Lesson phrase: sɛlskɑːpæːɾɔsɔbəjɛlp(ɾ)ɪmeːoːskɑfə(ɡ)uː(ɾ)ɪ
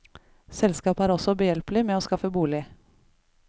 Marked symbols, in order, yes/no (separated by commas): no, no, no